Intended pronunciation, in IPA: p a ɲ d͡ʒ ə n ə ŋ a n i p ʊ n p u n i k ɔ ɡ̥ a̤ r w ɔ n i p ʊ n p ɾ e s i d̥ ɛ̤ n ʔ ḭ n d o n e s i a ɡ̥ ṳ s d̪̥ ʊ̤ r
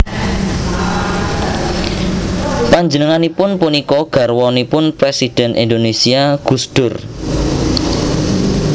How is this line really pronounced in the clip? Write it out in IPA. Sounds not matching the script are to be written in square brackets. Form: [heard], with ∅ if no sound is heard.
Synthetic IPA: p a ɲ d͡ʒ ə n ə ŋ a n i p ʊ n p u n i k ɔ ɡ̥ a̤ r w ɔ n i p ʊ n p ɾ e s i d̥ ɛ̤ n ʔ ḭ n d o n e s i a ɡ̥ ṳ s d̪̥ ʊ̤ r